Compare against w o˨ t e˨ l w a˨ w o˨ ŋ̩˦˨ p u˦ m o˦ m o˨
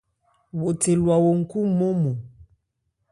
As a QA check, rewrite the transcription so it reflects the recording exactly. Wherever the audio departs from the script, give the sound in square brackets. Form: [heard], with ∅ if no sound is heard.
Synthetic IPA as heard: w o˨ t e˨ l w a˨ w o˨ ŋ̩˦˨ [k] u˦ m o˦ m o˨

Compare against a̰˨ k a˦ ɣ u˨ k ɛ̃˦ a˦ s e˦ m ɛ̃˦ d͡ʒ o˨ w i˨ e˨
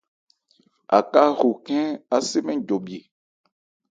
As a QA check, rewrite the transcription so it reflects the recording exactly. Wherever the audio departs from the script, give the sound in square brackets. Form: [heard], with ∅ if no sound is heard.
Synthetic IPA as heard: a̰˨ k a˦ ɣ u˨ k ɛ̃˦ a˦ s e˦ m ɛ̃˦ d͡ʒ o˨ [b] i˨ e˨

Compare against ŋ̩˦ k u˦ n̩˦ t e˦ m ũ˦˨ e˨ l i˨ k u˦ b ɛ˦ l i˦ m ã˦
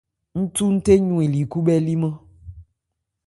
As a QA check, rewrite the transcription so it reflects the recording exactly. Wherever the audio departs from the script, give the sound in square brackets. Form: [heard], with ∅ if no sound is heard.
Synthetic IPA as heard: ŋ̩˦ [t] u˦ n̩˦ t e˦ [ɲ] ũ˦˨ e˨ l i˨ k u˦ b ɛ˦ l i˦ m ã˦

